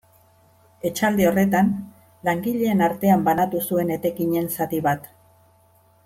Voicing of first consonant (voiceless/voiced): voiceless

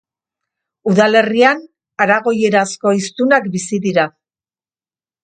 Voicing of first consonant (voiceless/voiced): voiced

